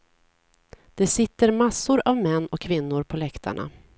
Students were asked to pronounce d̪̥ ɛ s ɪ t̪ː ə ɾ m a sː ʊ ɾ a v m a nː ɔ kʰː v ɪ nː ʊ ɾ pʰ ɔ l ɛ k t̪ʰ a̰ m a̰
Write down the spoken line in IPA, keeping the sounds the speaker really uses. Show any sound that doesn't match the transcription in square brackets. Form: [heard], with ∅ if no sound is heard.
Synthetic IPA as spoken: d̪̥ ɛ s ɪ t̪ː ə ɾ m a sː ʊ ɾ a v m [ɛ] nː ɔ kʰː v ɪ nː ʊ ɾ pʰ ɔ l ɛ k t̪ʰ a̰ [ɳ] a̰